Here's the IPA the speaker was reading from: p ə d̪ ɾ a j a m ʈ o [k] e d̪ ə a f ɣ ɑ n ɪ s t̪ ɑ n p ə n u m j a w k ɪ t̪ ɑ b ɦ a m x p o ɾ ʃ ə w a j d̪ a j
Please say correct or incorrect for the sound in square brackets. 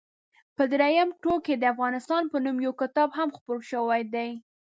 correct